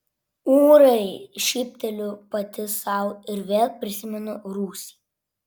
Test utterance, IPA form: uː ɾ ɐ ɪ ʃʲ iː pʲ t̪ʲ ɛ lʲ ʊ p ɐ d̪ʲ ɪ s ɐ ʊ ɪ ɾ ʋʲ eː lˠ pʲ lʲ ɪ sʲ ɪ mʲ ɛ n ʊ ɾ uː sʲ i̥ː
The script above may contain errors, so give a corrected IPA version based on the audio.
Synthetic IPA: uː ɾ ɐ ɪ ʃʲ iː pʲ t̪ʲ ɛ lʲ ʊ p ɐ t̪ʲ ɪ s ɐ ʊ ɪ ɾ ʋʲ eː lˠ pʲ ɾʲ ɪ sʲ ɪ mʲ ɛ n ʊ ɾ uː sʲ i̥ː